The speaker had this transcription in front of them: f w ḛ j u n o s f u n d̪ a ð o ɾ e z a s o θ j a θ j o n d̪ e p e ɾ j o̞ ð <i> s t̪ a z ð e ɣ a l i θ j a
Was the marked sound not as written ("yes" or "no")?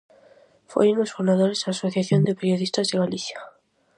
no